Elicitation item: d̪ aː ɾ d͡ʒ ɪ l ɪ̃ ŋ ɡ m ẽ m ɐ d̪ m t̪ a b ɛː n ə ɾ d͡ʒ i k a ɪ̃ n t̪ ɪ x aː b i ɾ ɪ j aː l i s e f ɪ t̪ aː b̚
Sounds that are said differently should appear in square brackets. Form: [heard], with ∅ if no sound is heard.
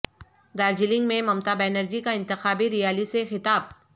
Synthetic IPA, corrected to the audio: d̪ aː ɾ d͡ʒ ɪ l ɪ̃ ŋ ɡ m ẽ m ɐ [∅] m t̪ a b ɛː n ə ɾ d͡ʒ i k a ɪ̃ n t̪ ɪ x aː b i ɾ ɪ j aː l i s e [x] ɪ t̪ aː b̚